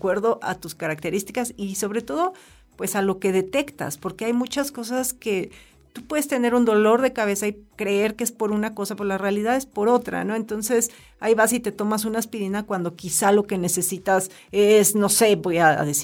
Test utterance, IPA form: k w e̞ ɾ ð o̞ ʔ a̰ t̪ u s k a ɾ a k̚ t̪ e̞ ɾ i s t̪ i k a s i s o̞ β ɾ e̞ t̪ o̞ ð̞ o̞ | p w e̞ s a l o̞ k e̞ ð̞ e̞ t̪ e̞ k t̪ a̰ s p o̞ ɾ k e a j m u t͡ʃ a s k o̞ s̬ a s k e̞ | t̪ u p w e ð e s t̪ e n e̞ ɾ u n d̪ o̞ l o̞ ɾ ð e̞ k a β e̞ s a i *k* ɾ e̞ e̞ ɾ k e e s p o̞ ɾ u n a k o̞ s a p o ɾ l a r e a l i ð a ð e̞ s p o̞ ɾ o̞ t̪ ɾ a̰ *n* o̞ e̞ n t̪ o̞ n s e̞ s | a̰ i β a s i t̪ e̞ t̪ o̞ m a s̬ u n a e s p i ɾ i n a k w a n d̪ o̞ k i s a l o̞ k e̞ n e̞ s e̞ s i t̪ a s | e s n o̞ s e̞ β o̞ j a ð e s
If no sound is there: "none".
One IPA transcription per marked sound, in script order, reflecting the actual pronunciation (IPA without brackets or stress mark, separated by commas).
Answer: k, n